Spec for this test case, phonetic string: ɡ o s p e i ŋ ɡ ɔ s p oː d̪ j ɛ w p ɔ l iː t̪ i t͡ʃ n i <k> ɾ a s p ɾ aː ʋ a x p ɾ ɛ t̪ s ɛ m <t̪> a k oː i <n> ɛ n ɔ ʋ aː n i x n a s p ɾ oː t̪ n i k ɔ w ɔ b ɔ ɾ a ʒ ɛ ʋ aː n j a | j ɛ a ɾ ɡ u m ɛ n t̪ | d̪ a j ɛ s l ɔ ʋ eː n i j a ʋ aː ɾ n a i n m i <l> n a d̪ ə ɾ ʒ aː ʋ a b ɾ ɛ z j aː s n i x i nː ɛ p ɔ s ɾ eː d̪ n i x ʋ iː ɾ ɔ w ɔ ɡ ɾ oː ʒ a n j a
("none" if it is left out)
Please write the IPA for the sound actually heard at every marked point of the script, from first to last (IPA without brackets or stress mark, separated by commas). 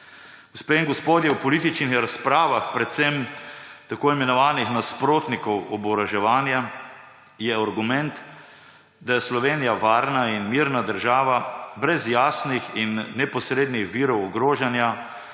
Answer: x, t̪, m, ɾ